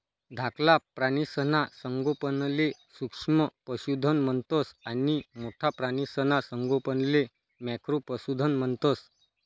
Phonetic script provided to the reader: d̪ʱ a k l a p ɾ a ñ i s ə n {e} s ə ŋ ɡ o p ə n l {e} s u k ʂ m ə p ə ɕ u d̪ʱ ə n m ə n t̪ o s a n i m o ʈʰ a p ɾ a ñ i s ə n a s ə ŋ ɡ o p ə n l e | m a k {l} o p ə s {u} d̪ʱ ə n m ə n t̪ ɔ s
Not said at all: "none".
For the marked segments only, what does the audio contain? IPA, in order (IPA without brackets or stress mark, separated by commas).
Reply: a, e, ɾ, u